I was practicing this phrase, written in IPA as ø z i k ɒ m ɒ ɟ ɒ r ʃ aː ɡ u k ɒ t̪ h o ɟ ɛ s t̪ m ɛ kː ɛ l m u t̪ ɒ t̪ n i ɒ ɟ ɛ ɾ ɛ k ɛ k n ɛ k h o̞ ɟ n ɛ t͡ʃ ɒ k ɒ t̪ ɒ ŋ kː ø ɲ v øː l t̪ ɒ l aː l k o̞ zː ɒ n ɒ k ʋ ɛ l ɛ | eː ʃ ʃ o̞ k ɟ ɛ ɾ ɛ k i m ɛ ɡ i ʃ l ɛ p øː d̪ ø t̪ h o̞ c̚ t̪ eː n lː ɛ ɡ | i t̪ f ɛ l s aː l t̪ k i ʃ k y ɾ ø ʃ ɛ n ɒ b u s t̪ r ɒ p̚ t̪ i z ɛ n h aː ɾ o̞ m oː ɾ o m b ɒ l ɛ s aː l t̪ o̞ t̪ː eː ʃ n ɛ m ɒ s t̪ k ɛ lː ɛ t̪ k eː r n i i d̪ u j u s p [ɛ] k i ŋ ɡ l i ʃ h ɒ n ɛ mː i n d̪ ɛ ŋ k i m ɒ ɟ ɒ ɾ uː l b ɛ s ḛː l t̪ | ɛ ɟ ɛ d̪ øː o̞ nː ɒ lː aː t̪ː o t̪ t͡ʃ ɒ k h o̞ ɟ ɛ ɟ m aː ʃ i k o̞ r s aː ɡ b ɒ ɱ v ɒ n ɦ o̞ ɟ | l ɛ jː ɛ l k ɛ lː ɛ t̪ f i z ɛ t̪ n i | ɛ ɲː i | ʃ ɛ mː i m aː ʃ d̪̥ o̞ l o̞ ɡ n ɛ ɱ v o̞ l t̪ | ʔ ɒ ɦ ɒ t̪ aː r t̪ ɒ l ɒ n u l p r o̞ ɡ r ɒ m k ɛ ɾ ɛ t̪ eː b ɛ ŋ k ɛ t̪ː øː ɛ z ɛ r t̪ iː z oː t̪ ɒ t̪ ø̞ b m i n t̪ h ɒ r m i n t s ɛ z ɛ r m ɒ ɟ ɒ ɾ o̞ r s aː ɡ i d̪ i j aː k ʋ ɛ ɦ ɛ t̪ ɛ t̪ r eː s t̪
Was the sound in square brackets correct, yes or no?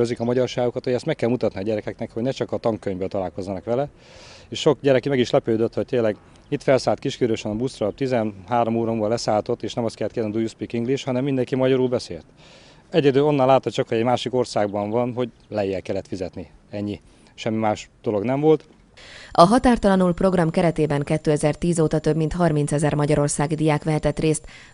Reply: no